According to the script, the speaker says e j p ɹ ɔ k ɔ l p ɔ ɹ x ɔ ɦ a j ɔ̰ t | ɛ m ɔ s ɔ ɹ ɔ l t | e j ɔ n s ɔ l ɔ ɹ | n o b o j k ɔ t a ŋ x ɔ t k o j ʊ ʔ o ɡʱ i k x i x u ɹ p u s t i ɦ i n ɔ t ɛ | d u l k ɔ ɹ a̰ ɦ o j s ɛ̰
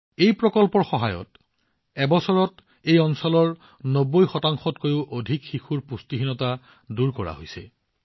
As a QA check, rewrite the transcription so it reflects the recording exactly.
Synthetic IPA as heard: e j p ɹ ɔ k ɔ l p ɔ ɹ x ɔ ɦ a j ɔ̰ t | ɛ b ɔ s ɔ ɹ ɔ t | e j ɔ n s ɔ l ɔ ɹ | n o b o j x ɔ t a ŋ x ɔ t k o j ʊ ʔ o dʱ i k x i x u ɹ p u s t i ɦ i n ɔ t a | d u ɹ k ɔ ɹ a̰ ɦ o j s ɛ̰